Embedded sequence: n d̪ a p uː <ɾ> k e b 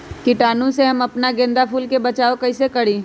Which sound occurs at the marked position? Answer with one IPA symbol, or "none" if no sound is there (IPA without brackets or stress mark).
l